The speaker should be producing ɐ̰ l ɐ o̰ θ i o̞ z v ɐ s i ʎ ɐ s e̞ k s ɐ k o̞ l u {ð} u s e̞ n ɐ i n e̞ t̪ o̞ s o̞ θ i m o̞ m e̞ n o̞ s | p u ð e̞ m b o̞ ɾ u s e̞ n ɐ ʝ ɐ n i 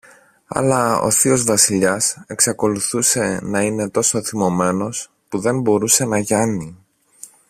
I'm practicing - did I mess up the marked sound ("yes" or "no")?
yes